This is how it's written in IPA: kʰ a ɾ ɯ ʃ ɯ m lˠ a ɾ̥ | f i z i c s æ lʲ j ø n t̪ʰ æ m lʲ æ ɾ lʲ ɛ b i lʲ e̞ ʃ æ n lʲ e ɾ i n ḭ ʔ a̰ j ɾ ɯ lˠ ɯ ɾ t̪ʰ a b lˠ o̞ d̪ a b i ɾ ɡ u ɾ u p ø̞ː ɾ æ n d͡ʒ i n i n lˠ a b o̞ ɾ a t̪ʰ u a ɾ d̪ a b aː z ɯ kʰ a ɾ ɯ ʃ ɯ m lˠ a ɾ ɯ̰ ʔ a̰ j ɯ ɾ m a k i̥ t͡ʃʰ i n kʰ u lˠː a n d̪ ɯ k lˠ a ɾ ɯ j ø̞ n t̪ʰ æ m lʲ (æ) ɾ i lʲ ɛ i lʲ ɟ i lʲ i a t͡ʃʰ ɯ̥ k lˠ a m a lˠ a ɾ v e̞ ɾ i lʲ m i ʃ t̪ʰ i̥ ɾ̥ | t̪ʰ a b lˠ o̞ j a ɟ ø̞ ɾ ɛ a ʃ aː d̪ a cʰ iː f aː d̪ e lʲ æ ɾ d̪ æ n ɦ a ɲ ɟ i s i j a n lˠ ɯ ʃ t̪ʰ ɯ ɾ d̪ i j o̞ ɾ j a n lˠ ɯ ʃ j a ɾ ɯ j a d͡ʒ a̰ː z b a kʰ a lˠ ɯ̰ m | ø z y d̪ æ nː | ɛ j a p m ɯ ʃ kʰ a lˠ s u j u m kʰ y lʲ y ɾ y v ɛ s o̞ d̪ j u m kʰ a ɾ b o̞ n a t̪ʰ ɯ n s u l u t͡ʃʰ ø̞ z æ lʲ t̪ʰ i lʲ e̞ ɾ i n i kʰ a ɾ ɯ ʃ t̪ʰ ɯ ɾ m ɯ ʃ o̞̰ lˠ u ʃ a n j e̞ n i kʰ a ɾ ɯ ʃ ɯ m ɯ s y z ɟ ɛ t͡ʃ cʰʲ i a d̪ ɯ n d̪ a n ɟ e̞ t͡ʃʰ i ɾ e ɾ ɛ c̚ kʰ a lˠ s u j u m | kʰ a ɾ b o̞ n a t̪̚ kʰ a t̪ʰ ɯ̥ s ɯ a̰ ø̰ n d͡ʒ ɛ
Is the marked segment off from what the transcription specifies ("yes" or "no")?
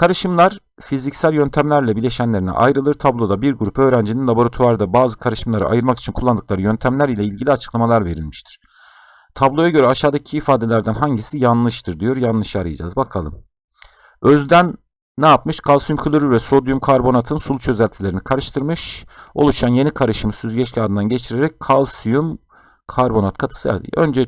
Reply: no